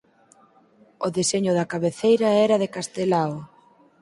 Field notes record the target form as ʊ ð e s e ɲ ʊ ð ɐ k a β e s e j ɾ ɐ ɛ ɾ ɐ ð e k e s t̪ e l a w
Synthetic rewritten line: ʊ ð e s e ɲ ʊ ð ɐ k a β e θ e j ɾ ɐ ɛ ɾ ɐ ð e k a s t̪ e l a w